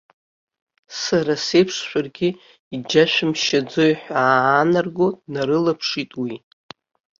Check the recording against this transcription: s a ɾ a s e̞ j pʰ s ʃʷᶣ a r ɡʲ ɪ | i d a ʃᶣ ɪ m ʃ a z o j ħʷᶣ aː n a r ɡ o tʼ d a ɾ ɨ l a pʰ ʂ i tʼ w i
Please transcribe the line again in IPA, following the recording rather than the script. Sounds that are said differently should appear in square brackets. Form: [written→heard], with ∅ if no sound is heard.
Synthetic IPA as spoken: s a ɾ a s e̞ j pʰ [s→ʂ] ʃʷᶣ a r ɡʲ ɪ | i [d→d͡ʒ] a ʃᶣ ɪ m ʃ a [z→d͡z] o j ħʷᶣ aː n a r ɡ o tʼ [d→n] a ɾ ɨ l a pʰ ʂ i tʼ w i